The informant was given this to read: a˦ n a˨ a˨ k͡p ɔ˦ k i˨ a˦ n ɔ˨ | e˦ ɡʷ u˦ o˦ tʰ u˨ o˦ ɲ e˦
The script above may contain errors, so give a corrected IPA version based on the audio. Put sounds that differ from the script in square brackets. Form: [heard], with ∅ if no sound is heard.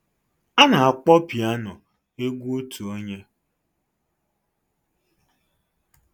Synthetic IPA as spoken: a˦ n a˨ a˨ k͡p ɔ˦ [p] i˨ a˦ n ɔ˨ | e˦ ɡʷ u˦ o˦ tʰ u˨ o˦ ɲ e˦